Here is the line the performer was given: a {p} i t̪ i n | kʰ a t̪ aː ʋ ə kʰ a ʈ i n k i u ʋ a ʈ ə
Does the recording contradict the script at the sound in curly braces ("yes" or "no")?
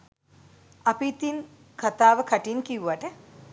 no